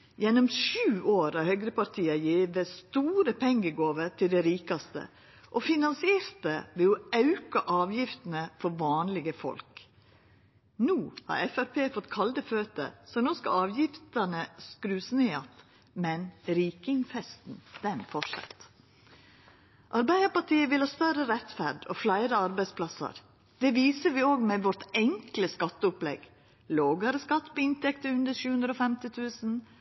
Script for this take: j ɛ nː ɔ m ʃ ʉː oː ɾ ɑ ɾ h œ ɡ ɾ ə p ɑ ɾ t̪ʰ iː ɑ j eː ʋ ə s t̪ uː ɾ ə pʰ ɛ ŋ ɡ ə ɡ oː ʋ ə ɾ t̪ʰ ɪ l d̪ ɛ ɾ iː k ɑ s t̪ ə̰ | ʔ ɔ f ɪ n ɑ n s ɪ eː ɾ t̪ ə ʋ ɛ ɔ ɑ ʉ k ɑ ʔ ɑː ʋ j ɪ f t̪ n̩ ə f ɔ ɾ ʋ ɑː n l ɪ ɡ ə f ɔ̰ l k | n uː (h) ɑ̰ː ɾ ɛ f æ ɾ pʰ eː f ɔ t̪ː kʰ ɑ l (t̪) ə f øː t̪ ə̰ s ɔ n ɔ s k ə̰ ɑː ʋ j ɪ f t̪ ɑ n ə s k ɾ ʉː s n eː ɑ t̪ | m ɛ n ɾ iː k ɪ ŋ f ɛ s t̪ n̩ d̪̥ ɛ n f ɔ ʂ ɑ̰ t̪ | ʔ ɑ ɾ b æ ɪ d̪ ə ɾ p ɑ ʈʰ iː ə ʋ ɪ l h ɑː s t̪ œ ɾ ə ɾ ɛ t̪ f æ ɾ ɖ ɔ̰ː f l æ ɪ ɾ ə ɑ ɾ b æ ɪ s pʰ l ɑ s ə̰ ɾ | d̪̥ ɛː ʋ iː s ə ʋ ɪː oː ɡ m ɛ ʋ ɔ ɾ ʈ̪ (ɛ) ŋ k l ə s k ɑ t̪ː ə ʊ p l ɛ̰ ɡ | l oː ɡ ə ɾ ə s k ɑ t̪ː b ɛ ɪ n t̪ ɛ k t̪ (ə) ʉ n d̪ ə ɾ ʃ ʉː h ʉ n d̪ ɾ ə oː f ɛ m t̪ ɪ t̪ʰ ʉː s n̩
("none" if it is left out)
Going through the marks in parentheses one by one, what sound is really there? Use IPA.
h, d̪, ɛ, ə

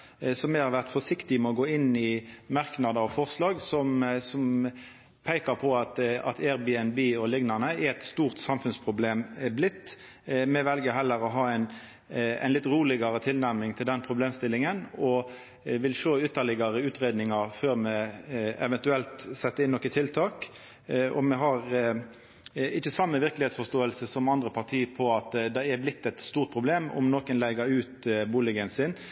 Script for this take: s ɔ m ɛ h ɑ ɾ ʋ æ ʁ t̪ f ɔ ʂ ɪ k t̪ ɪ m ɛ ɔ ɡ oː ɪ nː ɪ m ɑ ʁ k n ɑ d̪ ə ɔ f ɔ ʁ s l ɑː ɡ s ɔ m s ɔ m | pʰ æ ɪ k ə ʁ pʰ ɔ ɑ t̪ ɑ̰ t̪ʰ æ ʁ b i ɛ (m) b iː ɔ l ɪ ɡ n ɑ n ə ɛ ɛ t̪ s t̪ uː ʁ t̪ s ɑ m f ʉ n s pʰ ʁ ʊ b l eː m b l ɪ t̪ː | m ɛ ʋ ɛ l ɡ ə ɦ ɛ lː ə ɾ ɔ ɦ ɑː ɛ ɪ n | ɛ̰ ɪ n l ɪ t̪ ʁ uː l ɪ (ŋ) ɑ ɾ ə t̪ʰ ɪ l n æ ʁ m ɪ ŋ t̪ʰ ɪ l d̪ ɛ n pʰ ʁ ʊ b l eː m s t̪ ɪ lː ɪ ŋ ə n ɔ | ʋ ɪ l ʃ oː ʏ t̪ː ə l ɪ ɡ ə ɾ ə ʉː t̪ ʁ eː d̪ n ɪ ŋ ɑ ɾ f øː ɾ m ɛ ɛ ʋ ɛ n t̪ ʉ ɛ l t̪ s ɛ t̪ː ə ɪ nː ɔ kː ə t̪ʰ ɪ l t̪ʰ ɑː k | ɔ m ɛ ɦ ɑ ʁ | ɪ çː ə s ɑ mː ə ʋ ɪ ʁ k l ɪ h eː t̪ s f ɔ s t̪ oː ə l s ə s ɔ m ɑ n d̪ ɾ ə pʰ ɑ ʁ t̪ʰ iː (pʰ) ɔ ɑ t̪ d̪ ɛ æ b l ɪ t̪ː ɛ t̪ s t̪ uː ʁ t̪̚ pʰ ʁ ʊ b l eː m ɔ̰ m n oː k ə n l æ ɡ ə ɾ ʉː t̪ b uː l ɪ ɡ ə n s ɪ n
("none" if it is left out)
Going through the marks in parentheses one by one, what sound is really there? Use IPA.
n, ɡ, pʰ

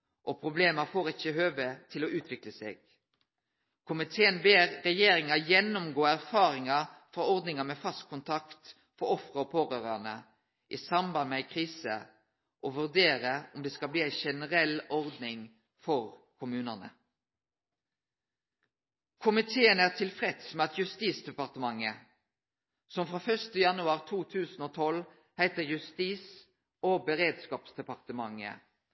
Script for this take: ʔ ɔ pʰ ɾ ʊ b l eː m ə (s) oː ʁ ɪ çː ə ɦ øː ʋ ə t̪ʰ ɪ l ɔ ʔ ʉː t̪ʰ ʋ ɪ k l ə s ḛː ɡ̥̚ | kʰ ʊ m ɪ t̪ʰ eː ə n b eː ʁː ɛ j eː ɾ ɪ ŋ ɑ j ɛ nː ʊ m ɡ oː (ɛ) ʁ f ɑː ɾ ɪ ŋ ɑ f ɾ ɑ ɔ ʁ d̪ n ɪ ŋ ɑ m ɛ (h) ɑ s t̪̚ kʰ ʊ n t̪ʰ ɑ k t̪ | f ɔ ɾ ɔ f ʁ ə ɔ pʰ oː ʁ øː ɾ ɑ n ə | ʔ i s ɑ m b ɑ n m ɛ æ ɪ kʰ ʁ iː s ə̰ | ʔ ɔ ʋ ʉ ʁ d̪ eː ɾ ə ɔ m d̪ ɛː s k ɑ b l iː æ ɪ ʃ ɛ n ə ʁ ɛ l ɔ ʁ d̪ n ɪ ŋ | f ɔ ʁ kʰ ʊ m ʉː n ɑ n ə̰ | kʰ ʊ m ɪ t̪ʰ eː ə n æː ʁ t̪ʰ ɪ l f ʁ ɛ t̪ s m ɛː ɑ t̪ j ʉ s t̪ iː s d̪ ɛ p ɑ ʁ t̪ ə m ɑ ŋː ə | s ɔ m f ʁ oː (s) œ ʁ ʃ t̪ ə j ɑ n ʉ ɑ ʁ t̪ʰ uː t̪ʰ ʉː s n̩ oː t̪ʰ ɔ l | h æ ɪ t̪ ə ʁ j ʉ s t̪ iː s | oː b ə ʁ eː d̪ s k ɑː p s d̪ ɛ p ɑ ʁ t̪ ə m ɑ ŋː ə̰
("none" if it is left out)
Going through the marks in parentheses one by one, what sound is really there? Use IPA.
f, æ, f, f

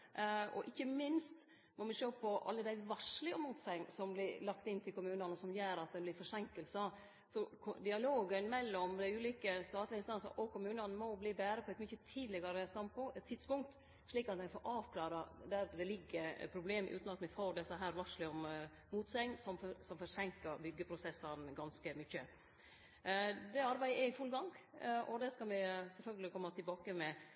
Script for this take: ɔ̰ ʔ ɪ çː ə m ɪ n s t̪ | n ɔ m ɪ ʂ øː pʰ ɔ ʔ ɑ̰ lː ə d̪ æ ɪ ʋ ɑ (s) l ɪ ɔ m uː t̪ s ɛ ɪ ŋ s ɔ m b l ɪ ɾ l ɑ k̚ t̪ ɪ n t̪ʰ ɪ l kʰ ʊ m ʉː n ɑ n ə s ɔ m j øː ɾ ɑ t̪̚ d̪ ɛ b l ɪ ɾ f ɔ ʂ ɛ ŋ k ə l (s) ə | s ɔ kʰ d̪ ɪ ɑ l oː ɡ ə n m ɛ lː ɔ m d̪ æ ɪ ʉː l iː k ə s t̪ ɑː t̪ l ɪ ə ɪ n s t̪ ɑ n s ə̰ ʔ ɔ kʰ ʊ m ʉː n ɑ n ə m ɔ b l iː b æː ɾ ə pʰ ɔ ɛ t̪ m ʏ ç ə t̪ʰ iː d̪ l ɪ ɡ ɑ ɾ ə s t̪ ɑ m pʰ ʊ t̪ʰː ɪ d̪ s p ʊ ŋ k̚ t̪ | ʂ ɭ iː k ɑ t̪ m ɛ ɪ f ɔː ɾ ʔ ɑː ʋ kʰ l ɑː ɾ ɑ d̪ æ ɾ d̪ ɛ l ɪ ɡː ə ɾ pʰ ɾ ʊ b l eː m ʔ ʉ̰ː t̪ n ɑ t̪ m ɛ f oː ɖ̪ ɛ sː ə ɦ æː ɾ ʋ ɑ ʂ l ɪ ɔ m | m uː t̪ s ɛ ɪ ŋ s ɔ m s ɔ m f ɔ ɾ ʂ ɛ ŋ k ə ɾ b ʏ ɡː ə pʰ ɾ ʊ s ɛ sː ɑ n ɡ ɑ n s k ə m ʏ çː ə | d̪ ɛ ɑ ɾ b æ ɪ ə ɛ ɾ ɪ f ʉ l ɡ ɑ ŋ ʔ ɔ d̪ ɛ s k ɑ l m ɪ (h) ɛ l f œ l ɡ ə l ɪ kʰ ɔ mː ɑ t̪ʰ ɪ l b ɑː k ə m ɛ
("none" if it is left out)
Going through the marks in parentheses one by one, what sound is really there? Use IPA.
ʂ, s, s

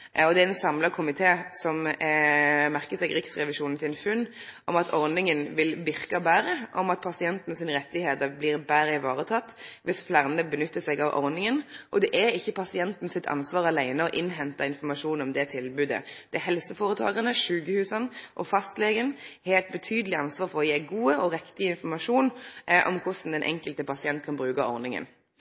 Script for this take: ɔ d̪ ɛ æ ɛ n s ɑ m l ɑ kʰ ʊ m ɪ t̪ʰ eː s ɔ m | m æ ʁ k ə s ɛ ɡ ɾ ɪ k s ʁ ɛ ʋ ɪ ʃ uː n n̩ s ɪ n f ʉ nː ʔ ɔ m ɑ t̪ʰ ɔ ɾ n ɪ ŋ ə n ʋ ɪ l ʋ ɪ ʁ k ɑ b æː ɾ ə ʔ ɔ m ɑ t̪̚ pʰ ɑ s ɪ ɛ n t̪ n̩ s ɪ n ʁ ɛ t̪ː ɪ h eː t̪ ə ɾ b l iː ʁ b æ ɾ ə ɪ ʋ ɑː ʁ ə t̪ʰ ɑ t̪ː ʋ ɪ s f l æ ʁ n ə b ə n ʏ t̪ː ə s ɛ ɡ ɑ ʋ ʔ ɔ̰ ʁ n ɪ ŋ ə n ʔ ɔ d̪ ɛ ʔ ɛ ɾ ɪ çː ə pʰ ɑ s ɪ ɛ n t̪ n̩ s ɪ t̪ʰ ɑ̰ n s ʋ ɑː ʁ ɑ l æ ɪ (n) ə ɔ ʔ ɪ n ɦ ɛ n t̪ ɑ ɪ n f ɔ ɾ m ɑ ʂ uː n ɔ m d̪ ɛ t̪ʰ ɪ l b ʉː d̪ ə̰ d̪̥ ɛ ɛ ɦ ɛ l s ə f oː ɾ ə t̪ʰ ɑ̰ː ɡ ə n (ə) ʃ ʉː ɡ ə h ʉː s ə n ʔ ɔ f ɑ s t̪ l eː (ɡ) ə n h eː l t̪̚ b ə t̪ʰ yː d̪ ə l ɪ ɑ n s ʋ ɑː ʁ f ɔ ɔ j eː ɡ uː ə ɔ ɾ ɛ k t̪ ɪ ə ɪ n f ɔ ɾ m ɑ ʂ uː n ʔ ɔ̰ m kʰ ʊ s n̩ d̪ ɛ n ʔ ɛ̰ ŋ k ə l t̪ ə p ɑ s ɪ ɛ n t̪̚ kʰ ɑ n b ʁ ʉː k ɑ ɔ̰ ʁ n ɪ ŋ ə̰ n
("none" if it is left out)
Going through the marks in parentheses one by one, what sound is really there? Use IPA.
n, ə, ɡ

